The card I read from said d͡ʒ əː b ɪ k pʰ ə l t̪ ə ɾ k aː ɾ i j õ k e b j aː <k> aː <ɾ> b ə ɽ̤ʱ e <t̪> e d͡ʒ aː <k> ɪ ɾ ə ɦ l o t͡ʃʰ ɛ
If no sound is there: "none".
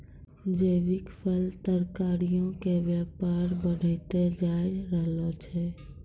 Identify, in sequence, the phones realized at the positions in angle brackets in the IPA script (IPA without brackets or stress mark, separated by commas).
p, ɾ, t̪, none